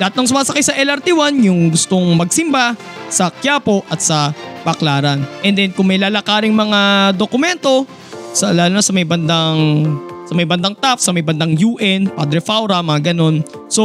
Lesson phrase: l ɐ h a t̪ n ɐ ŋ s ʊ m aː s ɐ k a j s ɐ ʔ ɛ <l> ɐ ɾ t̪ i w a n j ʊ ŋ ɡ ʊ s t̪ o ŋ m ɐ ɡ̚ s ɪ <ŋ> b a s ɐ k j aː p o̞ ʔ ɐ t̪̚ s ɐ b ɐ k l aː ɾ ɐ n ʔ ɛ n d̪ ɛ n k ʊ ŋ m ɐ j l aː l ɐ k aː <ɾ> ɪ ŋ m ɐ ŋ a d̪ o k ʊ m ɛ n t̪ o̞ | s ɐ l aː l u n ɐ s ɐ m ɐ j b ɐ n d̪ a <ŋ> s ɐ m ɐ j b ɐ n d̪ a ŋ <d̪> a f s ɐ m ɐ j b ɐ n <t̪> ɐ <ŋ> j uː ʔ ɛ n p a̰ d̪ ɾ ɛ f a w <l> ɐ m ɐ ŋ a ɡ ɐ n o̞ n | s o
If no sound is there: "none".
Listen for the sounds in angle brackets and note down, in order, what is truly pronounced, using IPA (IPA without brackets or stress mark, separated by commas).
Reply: l, m, ɾ, ŋ, t̪, d̪, ŋ, ɾ